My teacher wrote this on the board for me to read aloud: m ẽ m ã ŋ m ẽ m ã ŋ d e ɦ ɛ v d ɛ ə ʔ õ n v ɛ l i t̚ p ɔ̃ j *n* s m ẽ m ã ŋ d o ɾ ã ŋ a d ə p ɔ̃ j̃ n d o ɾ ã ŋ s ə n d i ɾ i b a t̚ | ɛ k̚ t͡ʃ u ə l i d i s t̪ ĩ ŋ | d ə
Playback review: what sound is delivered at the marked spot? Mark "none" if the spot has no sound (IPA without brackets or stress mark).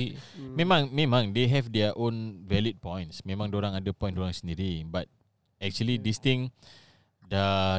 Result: n